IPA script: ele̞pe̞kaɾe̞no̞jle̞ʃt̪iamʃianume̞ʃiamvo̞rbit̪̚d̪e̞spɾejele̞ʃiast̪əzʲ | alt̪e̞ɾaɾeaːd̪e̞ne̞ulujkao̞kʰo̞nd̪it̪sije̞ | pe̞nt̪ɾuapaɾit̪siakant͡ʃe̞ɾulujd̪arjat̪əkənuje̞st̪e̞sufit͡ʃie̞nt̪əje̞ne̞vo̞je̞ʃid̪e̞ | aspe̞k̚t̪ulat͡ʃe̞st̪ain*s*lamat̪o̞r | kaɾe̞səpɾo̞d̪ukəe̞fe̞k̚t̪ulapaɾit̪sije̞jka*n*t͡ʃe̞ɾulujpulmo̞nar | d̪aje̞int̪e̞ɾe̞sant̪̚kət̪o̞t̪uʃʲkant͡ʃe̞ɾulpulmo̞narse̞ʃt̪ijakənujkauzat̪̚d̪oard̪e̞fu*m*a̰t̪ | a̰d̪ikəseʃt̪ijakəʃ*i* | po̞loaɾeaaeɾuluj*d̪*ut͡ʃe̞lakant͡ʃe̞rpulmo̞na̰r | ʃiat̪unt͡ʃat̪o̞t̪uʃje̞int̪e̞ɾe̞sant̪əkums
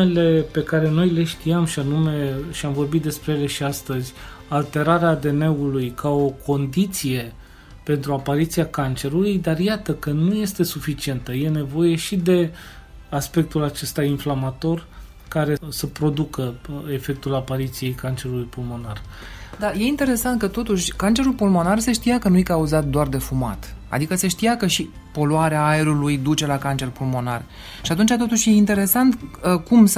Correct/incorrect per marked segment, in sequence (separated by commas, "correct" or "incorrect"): incorrect, correct, correct, correct, correct